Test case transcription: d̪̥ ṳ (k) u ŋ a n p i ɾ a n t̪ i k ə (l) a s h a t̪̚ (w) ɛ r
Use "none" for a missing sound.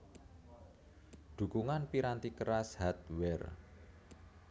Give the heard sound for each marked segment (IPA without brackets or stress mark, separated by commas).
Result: k, ɾ, w